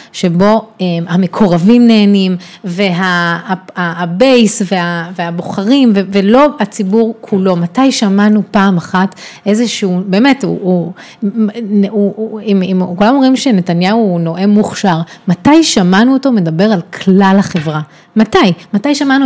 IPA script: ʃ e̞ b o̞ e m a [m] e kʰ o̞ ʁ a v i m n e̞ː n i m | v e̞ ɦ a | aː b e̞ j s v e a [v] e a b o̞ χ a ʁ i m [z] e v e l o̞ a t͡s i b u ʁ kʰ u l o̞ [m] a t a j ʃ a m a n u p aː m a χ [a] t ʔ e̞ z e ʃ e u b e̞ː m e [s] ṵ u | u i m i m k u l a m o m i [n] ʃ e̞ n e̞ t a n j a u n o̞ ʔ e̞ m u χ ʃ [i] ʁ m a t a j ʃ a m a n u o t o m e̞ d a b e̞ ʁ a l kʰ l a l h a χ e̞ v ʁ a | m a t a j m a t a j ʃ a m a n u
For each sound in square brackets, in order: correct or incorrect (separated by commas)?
correct, correct, incorrect, correct, correct, incorrect, incorrect, incorrect